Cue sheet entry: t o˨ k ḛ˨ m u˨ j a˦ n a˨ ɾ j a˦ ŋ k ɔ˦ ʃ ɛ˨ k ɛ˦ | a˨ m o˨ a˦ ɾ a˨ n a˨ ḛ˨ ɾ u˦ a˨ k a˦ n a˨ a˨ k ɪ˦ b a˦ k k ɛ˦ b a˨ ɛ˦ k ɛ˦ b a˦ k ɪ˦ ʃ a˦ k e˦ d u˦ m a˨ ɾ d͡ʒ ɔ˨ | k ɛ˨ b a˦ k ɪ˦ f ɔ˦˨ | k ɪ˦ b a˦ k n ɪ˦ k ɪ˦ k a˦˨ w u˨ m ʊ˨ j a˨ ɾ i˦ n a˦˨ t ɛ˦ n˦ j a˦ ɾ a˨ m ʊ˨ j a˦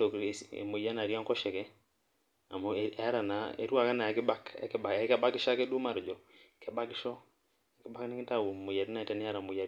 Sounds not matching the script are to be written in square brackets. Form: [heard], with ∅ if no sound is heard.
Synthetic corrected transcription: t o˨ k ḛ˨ m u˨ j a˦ n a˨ ɾ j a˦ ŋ k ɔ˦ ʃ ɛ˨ k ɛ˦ | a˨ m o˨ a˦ ɾ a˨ n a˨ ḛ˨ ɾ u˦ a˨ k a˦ n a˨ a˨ k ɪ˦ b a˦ k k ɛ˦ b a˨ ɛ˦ k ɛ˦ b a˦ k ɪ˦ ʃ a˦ k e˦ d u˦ m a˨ ɾ d͡ʒ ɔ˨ | k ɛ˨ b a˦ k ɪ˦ [ʃ] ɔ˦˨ | k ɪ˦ b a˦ k n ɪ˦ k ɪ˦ [t] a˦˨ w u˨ m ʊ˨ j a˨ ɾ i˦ n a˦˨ t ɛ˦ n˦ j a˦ ɾ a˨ m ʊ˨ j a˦